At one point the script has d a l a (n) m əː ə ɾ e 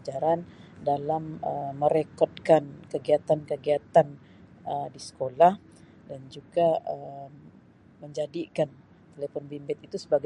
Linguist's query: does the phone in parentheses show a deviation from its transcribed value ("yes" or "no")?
yes